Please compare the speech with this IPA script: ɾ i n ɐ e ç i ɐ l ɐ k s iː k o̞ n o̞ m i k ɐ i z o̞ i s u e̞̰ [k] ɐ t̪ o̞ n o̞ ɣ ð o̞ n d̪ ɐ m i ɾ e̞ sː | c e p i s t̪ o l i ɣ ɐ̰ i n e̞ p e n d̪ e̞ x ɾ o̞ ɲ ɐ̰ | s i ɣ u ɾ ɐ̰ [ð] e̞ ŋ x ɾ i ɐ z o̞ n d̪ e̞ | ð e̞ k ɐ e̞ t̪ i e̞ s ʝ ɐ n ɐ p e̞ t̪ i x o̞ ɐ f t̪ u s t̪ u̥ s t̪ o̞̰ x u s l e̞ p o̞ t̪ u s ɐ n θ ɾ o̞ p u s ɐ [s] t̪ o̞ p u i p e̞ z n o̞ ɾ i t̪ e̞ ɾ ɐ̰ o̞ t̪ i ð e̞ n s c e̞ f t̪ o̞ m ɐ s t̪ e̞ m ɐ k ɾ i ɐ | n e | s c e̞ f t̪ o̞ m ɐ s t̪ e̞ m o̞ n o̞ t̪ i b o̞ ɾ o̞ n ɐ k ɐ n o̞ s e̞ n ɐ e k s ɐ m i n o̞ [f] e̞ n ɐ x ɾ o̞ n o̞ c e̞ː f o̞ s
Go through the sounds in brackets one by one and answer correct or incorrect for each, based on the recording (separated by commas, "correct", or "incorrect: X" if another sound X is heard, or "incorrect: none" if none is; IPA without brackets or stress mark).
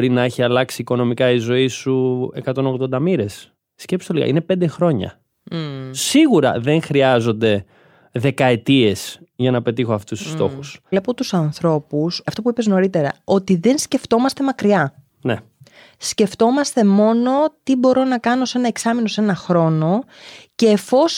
correct, correct, incorrect: f, incorrect: s